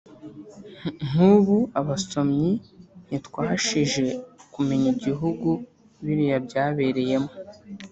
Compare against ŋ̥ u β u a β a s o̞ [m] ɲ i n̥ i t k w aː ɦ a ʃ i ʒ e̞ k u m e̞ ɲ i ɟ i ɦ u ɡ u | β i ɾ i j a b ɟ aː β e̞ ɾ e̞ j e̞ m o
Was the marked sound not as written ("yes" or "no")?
no